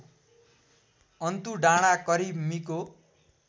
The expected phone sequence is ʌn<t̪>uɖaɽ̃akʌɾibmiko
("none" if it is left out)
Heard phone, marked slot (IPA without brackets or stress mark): t̪